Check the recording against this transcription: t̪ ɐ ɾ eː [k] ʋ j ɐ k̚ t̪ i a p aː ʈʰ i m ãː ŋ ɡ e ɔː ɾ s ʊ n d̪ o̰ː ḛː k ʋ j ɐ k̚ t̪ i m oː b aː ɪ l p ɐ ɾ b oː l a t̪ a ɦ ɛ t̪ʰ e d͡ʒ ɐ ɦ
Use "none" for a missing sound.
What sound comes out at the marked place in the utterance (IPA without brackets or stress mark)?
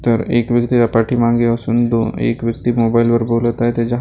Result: k